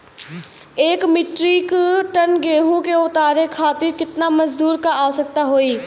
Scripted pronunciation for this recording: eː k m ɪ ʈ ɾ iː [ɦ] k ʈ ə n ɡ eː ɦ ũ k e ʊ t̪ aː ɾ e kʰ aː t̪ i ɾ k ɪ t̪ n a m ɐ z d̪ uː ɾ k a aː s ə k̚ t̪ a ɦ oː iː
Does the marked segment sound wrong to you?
yes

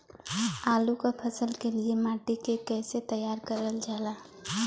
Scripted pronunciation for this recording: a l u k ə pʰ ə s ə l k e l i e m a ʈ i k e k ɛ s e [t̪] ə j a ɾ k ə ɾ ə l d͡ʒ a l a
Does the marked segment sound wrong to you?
no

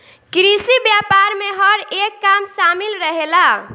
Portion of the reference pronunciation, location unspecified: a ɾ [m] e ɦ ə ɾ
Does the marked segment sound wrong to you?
no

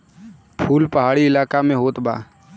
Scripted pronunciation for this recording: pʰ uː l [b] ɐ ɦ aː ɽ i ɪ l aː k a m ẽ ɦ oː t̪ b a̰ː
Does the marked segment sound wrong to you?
yes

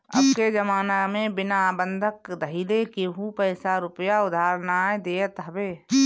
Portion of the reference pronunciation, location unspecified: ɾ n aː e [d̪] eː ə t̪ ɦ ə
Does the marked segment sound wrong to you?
no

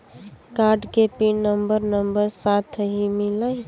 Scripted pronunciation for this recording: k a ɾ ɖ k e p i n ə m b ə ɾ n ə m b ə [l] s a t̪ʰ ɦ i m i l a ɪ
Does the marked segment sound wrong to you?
yes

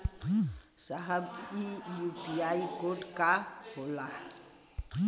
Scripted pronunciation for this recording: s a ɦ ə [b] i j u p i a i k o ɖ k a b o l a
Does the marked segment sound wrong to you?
no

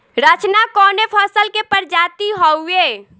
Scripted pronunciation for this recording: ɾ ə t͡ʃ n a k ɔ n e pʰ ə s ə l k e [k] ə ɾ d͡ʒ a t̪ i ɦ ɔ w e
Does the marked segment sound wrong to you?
yes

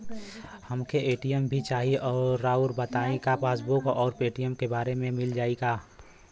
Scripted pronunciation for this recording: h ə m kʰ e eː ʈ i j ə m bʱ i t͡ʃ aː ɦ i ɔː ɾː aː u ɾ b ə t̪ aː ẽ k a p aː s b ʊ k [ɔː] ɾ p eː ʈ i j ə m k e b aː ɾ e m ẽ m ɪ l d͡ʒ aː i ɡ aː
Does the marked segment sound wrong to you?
no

